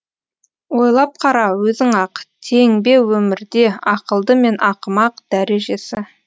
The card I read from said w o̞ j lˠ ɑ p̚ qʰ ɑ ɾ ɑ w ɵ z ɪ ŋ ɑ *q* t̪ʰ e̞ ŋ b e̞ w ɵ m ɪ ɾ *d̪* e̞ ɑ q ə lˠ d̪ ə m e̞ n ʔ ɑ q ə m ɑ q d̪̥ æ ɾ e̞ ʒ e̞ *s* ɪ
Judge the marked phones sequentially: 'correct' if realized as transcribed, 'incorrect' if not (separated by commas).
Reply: correct, correct, correct